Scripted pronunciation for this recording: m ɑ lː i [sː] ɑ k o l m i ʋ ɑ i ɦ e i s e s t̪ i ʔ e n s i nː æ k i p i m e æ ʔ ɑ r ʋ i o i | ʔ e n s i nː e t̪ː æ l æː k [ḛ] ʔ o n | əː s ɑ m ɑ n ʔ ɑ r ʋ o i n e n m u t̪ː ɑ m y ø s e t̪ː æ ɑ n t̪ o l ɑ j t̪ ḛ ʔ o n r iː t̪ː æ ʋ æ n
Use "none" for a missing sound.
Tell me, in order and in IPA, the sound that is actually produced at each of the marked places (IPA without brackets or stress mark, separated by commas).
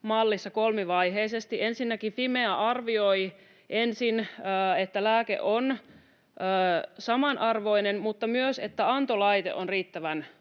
sː, ḛ